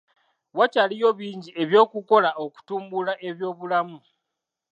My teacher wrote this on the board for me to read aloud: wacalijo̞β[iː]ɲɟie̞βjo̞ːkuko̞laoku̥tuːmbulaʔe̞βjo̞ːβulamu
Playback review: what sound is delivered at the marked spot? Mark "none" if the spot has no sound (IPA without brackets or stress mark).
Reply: iː